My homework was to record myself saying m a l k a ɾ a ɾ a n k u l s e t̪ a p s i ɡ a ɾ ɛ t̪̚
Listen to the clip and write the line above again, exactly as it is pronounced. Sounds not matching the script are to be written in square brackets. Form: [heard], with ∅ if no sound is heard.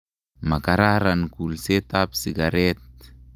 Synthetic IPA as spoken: m a [∅] k a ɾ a ɾ a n k u l s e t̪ a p s i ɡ a ɾ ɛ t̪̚

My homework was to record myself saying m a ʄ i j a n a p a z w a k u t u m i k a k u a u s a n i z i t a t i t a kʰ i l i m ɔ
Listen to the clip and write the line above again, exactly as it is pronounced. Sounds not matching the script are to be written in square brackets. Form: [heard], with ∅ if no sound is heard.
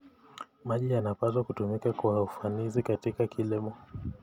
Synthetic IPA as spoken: m a ʄ i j a n a p a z w a k u t u m i k a k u a u [f] a n i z i [k] a t i [k] a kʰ i l i m ɔ

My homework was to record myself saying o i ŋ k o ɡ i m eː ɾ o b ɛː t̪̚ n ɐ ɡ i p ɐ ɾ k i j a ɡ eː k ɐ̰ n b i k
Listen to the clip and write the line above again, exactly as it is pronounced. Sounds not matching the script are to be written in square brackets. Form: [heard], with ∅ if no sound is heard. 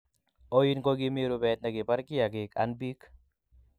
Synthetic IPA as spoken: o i [n] k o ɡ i m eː ɾ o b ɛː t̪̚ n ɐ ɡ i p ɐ ɾ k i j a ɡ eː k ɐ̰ n b i k

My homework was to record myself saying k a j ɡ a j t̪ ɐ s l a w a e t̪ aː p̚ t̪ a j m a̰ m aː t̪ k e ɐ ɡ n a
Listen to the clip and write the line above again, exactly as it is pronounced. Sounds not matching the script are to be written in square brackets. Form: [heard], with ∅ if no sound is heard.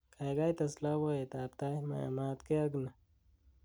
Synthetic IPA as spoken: k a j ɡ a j t̪ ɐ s l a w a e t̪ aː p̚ t̪ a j m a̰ m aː t̪ k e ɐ ɡ n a

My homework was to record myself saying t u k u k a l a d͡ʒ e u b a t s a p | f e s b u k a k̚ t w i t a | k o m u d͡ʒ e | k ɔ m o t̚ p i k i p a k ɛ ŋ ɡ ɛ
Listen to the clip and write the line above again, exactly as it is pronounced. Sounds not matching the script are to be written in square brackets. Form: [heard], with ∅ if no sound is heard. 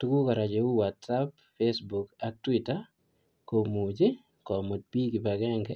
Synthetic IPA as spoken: t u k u k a [ɾ] a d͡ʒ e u [w] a t s a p | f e s b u k a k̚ t w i t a | k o m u d͡ʒ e | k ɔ m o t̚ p i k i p a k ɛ ŋ ɡ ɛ

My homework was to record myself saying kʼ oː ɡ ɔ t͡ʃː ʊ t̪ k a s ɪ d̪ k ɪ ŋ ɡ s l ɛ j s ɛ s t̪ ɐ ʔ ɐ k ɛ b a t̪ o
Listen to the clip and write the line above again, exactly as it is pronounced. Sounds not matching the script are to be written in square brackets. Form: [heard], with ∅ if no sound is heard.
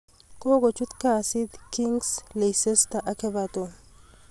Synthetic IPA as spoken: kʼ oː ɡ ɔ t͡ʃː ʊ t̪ k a s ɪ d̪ k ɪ ŋ ɡ s l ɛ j s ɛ s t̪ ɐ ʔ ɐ k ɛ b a t̪ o

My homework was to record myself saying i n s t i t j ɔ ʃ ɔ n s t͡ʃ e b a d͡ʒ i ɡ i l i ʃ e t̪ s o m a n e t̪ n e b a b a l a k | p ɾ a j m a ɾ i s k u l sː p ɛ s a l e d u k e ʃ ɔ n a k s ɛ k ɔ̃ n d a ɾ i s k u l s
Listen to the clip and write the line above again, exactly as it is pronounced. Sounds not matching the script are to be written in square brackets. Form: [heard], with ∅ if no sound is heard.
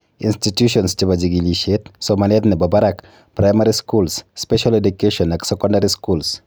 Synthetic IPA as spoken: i n s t i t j [u] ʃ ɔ n s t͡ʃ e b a d͡ʒ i ɡ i l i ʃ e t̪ s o m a n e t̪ n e b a b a [ɾ] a k | p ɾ a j m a ɾ i s k u l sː p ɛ [ʃ] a l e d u k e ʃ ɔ n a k s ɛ k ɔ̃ n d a ɾ i s k u l s

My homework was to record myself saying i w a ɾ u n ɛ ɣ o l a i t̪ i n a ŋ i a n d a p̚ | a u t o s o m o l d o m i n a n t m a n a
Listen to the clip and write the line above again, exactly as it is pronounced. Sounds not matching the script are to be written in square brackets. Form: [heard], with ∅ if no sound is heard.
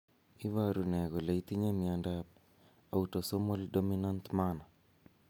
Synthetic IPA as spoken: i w a ɾ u n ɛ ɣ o l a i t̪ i [ɲ] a [m] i a n d a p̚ | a u t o s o m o l d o m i n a n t m a n a

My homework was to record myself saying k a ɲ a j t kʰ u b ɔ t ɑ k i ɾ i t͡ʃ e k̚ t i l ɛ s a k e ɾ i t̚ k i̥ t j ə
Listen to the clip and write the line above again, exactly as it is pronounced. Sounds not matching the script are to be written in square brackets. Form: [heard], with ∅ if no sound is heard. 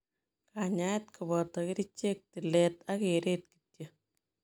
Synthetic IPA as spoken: k a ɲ a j t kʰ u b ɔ t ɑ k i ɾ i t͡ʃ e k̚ t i l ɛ [t] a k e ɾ [e] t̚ k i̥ t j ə

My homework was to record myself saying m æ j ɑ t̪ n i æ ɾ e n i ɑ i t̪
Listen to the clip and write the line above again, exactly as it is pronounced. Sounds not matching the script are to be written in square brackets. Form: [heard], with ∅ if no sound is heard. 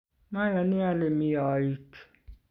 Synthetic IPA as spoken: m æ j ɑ [∅] n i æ [l] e [m] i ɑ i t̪

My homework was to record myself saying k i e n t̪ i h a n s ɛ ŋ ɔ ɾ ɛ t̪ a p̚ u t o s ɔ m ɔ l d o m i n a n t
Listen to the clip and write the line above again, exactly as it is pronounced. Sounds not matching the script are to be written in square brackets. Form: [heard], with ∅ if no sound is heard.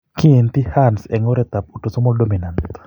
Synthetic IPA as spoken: k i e n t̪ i h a n s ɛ ŋ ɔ ɾ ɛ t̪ a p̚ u t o s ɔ m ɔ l d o m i n a n t

